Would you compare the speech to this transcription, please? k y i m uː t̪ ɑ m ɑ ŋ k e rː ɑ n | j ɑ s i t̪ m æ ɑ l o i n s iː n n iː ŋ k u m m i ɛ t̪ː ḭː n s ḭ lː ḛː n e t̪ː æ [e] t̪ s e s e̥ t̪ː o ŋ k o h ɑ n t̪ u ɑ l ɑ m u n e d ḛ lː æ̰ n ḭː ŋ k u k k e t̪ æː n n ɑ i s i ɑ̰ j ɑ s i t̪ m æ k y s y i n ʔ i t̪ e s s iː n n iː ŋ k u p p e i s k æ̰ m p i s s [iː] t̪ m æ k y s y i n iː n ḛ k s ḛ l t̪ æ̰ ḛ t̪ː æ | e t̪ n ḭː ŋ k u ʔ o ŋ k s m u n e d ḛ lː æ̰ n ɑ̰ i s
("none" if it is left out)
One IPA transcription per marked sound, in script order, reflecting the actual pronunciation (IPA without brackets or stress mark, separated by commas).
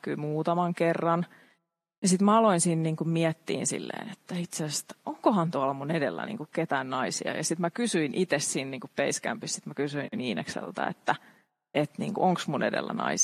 i, i